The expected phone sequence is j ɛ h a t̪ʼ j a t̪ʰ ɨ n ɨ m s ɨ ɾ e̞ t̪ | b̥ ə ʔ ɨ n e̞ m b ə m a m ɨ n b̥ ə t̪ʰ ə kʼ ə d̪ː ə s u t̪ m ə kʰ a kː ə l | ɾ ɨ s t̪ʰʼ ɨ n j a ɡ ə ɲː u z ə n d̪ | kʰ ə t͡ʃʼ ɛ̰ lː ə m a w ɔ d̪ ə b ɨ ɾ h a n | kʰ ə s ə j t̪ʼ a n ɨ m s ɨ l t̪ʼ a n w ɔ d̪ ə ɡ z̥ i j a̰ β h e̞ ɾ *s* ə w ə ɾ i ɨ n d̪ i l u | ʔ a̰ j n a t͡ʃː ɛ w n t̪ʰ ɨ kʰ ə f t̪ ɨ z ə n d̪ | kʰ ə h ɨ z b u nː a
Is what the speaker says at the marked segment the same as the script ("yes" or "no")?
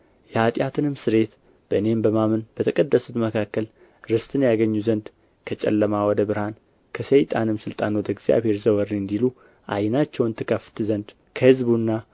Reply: no